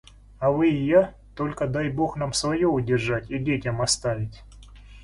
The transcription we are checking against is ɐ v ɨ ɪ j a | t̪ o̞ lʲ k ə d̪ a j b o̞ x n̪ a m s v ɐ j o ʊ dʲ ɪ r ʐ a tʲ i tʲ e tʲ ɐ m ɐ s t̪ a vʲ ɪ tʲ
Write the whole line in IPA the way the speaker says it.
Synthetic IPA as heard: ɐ v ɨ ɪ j a | t̪ o̞ lʲ k ə d̪ a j b o̞ x n̪ a m s v ɐ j o ʊ dʲ ɪ r ʐ a tʲ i dʲ e tʲ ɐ m ɐ s t̪ a vʲ ɪ tʲ